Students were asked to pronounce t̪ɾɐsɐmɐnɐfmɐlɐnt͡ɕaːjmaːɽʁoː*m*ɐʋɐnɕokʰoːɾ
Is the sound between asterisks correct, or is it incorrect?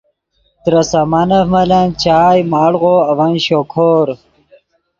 incorrect: none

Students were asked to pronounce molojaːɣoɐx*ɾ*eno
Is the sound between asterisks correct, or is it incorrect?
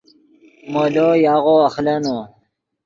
incorrect: l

